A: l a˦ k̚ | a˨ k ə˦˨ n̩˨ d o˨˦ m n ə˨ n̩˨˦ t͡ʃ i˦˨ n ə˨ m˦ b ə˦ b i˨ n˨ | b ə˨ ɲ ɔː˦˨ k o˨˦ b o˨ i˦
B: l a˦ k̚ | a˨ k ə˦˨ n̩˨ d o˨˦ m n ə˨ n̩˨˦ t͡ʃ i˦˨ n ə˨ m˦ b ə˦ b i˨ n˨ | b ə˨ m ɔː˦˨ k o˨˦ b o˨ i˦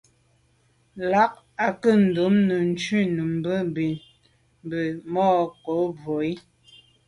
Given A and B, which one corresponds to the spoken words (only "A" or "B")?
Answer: B